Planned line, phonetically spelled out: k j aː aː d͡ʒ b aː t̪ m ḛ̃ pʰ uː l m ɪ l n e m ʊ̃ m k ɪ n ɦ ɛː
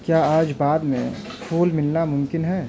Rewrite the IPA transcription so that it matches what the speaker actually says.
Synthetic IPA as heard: k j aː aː d͡ʒ b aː d̪ m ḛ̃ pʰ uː l m ɪ l n a m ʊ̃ m k ɪ n ɦ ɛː